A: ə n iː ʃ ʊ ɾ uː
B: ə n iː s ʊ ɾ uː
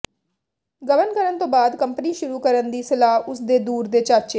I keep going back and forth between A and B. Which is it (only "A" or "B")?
A